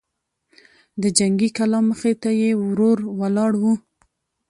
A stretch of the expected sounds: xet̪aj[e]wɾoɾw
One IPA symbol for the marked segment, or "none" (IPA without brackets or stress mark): e